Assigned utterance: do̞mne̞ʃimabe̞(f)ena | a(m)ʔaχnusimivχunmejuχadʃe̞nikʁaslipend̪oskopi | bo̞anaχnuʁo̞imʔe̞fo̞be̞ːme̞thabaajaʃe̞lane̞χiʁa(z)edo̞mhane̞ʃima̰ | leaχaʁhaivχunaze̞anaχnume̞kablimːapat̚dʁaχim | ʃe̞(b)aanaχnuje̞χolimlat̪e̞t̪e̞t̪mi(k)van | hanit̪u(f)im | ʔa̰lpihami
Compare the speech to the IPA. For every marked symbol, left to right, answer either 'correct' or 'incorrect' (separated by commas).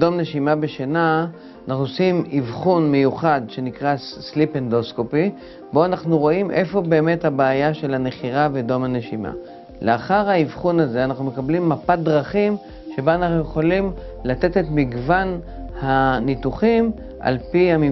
incorrect, incorrect, incorrect, correct, incorrect, incorrect